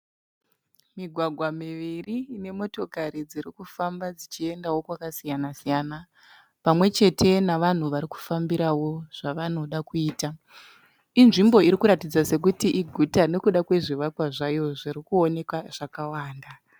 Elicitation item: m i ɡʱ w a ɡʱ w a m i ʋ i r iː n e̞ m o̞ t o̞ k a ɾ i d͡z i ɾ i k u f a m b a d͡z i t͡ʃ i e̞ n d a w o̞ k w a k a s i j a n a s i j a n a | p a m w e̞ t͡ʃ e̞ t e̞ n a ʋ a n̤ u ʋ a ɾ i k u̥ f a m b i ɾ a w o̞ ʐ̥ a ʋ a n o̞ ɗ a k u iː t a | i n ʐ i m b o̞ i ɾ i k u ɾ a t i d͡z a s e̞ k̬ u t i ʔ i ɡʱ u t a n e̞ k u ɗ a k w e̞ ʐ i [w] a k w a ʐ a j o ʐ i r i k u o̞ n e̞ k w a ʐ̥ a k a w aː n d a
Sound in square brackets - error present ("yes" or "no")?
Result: yes